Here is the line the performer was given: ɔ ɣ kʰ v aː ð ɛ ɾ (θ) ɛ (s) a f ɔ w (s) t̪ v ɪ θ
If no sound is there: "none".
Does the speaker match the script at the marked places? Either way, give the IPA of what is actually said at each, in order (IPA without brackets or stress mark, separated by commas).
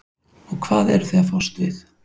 θ, none, s